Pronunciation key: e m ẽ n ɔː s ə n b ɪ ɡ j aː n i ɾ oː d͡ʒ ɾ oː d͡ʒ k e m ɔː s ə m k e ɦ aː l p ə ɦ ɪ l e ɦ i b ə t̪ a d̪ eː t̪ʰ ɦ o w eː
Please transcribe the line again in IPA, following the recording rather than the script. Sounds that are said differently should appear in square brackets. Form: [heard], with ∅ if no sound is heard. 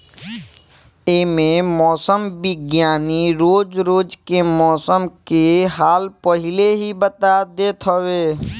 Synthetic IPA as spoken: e m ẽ [m] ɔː s ə [m] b ɪ ɡ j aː n i ɾ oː d͡ʒ ɾ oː d͡ʒ k e m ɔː s ə m k e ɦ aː l p ə ɦ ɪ l e ɦ i b ə t̪ a d̪ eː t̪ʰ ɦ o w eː